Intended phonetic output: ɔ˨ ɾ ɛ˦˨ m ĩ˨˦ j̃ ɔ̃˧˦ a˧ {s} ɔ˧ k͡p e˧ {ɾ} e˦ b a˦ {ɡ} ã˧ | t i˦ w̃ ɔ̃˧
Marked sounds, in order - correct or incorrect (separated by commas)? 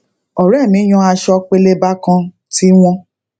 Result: incorrect, incorrect, incorrect